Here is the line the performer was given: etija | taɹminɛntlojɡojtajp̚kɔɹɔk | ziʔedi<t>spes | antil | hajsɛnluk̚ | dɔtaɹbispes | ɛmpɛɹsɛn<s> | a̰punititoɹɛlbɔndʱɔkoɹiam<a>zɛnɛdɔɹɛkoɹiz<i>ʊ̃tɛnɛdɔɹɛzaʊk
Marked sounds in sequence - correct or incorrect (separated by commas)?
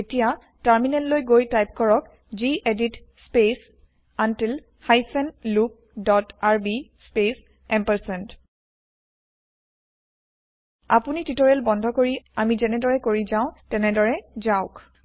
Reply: correct, incorrect, incorrect, incorrect